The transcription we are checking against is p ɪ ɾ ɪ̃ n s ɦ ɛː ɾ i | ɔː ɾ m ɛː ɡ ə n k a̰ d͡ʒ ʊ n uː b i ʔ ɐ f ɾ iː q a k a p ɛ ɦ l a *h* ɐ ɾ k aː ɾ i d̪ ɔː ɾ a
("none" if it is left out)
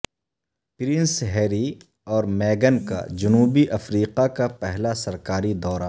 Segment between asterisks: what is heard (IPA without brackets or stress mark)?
s